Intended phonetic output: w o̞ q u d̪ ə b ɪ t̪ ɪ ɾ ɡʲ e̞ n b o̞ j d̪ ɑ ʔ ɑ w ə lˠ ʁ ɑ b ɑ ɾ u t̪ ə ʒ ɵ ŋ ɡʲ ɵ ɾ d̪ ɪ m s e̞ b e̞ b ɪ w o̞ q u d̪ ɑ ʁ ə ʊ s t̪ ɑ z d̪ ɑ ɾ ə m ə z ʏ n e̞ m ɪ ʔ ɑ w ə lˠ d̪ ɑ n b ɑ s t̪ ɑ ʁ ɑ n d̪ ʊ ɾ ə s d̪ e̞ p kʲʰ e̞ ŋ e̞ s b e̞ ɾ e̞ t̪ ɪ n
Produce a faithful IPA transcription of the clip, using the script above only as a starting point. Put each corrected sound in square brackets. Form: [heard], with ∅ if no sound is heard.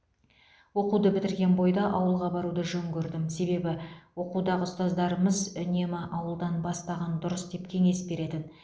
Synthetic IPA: w o̞ q u d̪ ə b ɪ t̪ ɪ ɾ ɡʲ e̞ n b o̞ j d̪ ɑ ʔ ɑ w ə lˠ ʁ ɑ b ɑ ɾ u [d̪] ə ʒ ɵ ŋ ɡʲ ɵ ɾ d̪ ɪ m s e̞ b e̞ b ɪ w o̞ q u d̪ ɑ ʁ ə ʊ s t̪ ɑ z d̪ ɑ ɾ ə m ə z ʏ n e̞ m ɪ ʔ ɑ w ə lˠ d̪ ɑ n b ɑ s t̪ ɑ ʁ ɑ n d̪ ʊ ɾ ə s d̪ e̞ p kʲʰ e̞ ŋ e̞ s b e̞ ɾ e̞ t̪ ɪ n